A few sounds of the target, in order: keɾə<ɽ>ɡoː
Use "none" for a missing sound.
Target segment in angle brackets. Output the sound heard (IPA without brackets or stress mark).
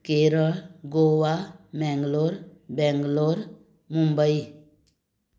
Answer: ɭ